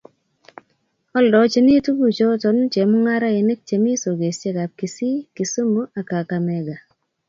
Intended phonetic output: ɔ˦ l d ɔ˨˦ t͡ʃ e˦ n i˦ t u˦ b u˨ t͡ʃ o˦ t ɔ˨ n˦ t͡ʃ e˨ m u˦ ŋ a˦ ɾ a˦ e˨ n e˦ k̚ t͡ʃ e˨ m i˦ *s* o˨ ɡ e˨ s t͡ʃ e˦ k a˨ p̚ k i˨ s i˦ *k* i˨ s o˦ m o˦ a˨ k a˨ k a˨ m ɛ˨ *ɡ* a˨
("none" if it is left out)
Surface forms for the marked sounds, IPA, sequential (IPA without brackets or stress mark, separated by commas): s, k, ɡ